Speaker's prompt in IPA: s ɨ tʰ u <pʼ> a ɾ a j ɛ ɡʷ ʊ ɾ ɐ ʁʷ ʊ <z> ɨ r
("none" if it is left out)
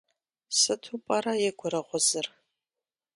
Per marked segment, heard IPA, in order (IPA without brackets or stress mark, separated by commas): pʼ, z